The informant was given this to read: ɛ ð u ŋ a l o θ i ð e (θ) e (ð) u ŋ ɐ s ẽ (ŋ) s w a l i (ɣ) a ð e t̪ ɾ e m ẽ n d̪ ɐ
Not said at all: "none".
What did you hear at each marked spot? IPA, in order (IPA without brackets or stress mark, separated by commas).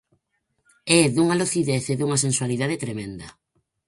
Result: θ, ð, n, ð